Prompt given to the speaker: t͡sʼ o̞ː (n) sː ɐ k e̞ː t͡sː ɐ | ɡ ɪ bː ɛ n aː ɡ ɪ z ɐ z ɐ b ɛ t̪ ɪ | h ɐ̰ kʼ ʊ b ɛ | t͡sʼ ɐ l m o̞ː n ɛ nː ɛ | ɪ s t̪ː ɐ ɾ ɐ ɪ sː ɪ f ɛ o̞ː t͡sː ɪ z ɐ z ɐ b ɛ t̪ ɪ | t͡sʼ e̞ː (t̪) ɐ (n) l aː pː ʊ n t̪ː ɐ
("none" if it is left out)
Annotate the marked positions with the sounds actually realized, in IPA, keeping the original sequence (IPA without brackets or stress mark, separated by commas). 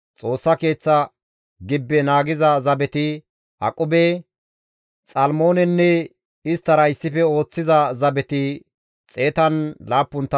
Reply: none, t̪, n